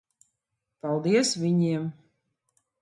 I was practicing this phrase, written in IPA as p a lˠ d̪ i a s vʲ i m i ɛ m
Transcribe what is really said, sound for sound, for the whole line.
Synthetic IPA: p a lˠ d̪ i ɛ s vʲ i ɲ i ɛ m